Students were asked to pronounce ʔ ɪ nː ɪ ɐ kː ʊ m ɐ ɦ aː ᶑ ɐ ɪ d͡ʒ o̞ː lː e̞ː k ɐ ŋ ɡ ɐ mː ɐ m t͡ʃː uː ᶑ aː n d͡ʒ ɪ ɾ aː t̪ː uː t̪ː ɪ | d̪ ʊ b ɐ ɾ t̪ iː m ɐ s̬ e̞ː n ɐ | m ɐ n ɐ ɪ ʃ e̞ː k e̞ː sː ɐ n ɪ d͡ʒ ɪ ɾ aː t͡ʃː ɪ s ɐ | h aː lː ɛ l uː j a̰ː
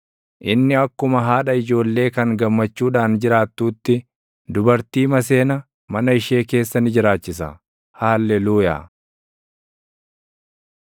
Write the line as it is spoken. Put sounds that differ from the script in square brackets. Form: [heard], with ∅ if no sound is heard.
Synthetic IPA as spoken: ʔ ɪ nː ɪ ɐ kː ʊ m ɐ ɦ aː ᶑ ɐ ɪ d͡ʒ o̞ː lː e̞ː k ɐ ŋ ɡ ɐ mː ɐ [∅] t͡ʃː uː ᶑ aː n d͡ʒ ɪ ɾ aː t̪ː uː t̪ː ɪ | d̪ ʊ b ɐ ɾ t̪ iː m ɐ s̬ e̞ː n ɐ | m ɐ n ɐ ɪ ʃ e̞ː k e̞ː sː ɐ n ɪ d͡ʒ ɪ ɾ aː t͡ʃː ɪ s ɐ | h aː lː ɛ l uː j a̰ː